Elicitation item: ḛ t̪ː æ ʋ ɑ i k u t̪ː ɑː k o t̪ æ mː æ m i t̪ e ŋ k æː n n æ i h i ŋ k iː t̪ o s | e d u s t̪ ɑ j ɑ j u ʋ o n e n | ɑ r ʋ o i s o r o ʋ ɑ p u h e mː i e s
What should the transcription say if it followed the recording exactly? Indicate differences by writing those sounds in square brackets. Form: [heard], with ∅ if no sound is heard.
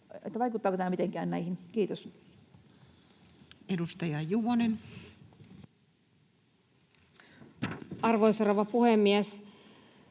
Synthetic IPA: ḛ t̪ː æ ʋ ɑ i k u t̪ː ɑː k o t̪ æ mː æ m i t̪ e ŋ k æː n n æ i h i [n] k iː t̪ o s | e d u s t̪ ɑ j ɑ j u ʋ o n e n | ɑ r ʋ o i s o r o ʋ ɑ p u h e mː i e s